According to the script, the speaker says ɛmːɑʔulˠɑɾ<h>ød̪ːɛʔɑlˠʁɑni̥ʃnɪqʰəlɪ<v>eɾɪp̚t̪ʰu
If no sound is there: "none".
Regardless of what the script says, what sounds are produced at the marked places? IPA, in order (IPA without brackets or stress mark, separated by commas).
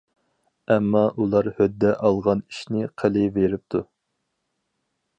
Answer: h, v